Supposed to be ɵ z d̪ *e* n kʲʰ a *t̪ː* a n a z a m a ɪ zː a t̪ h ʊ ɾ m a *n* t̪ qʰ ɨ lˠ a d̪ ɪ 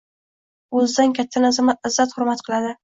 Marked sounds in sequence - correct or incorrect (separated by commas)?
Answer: incorrect, incorrect, incorrect